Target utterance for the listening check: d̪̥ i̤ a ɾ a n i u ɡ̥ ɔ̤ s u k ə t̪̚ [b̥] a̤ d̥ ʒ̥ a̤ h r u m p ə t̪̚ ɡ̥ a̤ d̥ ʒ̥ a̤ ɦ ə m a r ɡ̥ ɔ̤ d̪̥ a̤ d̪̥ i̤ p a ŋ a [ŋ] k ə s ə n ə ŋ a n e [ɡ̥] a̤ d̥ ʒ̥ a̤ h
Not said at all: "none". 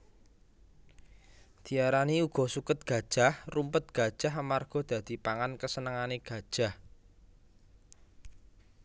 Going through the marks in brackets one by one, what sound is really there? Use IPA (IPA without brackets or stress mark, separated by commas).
ɡ̥, n, ɡ̥